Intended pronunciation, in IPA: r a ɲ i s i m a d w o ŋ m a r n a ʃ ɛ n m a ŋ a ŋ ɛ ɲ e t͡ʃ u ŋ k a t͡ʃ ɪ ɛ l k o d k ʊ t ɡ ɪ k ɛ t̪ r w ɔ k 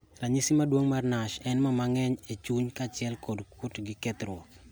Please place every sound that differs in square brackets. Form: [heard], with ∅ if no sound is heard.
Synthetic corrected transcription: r a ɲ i s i m a d w o ŋ m a r n a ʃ ɛ n m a [m] a ŋ ɛ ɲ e t͡ʃ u [ɲ] k a t͡ʃ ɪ ɛ l k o d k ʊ t ɡ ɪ k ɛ t̪ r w ɔ k